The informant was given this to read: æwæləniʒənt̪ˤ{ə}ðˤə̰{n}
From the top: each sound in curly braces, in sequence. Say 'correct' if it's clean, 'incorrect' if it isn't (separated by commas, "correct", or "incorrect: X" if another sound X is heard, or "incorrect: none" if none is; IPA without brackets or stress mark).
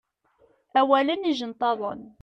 incorrect: ɑ, correct